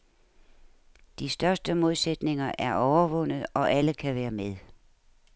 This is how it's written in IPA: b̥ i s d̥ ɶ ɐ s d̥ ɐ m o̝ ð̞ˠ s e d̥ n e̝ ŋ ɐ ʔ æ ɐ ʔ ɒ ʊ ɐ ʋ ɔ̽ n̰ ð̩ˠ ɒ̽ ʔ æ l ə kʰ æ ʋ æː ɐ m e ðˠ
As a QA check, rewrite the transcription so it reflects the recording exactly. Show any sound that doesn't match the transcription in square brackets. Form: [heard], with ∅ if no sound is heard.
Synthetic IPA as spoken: [d̥] i s d̥ ɶ ɐ s d̥ [ə] m o̝ ð̞ˠ s e d̥ n e̝ ŋ ɐ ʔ æ ɐ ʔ ɒ ʊ ɐ ʋ ɔ̽ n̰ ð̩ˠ ɒ̽ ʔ æ l ə kʰ æ ʋ æː ɐ m e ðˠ